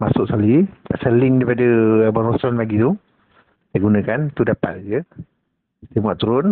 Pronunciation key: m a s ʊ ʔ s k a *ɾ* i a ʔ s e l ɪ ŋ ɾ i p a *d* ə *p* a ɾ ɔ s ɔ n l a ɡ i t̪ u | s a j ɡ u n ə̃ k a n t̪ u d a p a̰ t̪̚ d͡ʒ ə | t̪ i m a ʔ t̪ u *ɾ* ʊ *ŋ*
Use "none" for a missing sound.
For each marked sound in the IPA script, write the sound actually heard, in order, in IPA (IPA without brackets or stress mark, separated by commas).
l, d, b, ɾ, n